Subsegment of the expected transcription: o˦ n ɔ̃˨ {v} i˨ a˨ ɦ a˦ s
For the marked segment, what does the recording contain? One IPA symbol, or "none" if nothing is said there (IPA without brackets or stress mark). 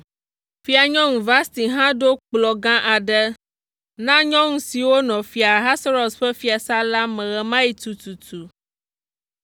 f